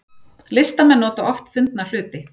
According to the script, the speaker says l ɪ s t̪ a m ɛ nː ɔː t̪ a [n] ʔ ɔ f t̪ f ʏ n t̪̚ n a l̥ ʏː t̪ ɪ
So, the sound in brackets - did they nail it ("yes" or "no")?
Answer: no